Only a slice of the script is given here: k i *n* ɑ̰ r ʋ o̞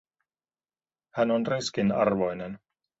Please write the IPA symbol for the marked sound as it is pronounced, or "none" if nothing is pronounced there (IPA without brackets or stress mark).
n